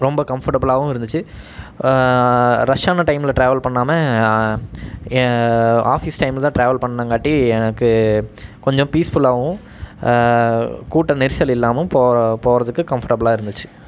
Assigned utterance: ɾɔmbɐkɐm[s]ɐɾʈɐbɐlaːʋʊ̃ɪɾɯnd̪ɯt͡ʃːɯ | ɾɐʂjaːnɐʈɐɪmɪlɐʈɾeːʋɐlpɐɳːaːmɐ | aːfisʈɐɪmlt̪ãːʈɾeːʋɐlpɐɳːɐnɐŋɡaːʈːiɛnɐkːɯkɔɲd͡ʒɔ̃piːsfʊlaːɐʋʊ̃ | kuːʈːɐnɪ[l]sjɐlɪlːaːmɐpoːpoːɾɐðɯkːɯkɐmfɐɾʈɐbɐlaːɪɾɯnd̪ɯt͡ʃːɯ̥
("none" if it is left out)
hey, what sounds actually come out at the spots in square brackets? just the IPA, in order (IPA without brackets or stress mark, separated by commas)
f, ɾ